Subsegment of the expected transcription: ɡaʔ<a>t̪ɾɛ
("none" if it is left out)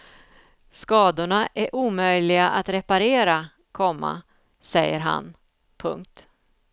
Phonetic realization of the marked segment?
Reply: a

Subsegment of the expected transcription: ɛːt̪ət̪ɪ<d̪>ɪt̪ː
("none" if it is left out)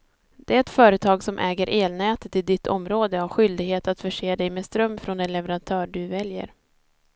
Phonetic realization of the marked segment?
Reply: d̪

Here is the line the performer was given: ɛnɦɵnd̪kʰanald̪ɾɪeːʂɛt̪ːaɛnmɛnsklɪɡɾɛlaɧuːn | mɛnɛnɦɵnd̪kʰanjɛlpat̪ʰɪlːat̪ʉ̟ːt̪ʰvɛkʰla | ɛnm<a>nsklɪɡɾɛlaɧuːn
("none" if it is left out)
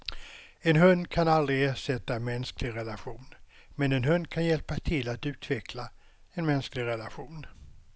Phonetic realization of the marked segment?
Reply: ɛ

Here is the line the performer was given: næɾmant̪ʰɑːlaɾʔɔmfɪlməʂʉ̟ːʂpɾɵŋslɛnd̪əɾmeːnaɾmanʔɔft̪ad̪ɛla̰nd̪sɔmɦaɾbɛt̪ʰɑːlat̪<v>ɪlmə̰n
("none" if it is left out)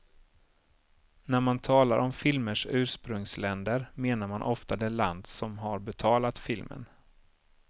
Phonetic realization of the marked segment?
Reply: f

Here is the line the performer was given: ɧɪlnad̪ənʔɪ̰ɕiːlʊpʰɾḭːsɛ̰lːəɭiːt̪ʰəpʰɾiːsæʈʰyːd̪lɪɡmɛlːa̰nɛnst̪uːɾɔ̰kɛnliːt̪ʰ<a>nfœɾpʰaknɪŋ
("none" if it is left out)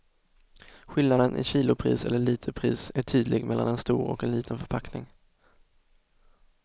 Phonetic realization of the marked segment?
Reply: ə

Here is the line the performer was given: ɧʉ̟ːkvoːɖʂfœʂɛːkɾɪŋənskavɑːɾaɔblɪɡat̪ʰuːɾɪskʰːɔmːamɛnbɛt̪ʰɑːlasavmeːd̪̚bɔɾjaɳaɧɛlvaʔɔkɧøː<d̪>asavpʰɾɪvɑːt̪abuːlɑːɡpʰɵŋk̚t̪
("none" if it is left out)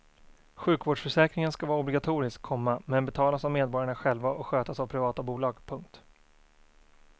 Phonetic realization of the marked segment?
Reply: t̪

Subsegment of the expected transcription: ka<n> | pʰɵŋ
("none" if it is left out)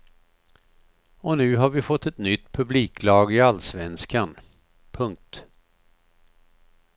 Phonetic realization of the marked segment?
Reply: n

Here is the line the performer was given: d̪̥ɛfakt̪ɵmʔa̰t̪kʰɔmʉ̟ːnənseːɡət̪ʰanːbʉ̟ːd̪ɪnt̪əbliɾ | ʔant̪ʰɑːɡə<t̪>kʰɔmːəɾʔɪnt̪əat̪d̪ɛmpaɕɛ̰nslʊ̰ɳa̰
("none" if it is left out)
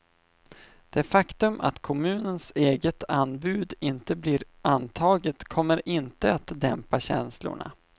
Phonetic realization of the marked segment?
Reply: t̪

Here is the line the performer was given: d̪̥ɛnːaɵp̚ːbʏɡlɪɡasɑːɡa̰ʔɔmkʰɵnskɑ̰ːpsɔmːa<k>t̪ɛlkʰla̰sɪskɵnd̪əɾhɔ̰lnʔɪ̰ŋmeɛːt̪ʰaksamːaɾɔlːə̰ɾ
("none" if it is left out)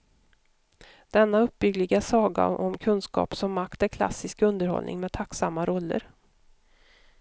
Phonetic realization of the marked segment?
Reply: k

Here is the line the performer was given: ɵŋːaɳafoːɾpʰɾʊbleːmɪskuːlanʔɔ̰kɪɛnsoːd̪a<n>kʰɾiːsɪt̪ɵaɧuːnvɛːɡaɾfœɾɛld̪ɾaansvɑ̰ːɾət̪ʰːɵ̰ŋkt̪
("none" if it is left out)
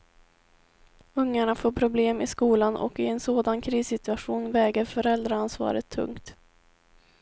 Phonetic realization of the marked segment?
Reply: n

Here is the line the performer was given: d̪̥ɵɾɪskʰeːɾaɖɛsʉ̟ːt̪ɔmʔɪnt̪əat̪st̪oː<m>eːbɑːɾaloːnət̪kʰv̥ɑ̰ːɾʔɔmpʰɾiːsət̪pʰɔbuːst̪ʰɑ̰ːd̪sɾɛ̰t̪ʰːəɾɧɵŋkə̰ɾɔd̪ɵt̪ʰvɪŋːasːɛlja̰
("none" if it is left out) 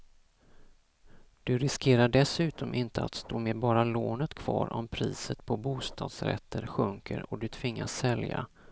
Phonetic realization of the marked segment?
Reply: m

